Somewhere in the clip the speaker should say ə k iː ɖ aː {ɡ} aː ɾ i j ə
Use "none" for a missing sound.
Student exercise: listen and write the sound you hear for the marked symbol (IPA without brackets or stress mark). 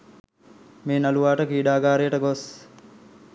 ɡ